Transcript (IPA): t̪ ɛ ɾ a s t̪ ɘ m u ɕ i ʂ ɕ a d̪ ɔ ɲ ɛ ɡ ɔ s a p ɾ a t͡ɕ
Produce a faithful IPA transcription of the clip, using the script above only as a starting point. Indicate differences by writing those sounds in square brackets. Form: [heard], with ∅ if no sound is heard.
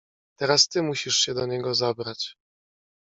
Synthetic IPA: t̪ ɛ ɾ a s t̪ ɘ m u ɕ i ʂ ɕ [ɛ] d̪ ɔ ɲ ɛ ɡ ɔ [z] a [b] ɾ a t͡ɕ